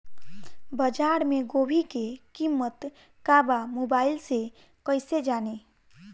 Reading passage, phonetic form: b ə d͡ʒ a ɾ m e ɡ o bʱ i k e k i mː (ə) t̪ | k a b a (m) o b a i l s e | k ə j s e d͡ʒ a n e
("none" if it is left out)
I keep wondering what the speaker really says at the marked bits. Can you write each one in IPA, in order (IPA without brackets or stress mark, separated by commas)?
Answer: ə, m